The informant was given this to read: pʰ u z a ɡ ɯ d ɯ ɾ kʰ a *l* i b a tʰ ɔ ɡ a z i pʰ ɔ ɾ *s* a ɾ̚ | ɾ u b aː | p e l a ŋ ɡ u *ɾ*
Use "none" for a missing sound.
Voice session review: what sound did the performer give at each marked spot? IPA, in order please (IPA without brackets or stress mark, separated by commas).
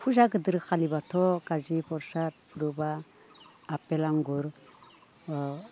l, s, ɾ